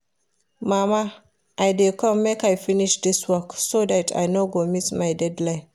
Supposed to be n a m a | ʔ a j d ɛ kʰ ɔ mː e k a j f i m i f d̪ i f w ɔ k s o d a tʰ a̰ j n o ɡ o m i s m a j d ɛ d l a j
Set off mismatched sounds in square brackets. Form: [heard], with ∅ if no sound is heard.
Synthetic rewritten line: [m] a m a | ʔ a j d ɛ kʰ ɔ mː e k a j f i [n] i [ʃ] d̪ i [s] w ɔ k s o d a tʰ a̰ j n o ɡ o m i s m a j d ɛ d l a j